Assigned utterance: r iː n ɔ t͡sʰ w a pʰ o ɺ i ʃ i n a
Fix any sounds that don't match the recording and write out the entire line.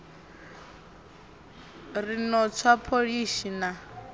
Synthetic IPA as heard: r i n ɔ t͡sʰ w a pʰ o ɺ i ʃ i n a